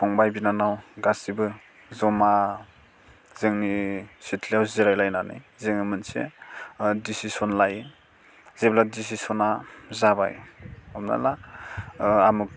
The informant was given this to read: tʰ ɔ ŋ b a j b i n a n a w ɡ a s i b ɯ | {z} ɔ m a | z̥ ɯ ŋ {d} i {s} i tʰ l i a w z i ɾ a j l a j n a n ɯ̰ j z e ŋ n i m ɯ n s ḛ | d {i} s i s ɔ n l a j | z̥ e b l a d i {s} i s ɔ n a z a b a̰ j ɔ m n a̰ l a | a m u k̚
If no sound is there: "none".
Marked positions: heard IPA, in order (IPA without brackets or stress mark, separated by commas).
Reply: z, n, s, i, s